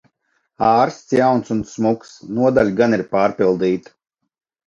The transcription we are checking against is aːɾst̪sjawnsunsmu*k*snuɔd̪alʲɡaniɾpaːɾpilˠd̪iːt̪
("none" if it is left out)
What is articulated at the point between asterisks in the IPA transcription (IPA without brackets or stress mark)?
k